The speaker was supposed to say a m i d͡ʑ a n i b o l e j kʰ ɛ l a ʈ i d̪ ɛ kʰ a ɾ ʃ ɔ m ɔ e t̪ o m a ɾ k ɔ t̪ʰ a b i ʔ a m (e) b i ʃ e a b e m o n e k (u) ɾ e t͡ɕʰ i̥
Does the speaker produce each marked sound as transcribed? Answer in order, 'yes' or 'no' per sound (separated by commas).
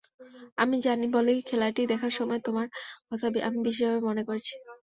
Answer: no, no